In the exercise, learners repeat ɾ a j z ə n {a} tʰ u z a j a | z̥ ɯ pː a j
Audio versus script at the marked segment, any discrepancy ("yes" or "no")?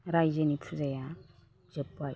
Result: yes